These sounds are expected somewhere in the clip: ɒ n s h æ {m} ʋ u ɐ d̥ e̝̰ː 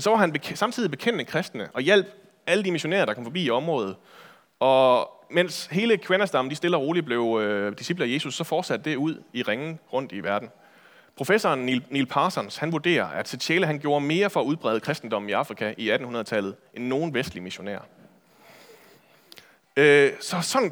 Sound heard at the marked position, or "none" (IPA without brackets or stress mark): n